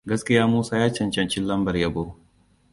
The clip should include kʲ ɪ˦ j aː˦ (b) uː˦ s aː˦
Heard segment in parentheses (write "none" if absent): m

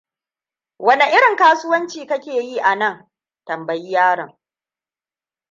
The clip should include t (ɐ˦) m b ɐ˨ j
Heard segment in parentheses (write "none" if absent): ɐ˨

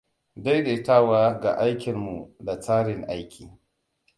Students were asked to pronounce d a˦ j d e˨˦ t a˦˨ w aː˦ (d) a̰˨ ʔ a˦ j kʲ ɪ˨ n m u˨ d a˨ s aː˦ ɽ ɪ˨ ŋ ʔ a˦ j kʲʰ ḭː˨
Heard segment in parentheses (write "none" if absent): ɡ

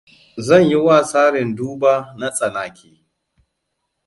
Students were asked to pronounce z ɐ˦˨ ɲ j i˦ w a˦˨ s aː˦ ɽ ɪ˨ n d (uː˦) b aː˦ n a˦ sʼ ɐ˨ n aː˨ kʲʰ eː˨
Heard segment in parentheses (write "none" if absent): uː˦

